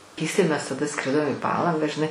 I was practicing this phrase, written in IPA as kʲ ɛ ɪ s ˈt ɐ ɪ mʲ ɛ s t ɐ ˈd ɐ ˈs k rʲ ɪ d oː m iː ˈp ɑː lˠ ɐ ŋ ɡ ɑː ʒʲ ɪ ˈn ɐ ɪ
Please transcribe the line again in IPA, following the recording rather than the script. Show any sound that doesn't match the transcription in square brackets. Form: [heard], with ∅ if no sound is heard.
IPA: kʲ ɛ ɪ s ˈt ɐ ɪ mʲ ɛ s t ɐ ˈd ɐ ˈs k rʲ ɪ d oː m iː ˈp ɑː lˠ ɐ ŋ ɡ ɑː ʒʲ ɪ ˈn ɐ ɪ